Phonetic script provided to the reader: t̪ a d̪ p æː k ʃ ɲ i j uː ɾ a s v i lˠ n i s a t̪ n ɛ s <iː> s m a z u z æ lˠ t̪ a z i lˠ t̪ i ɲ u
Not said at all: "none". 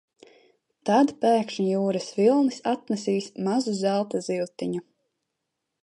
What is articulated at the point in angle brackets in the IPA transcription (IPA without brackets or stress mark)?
iː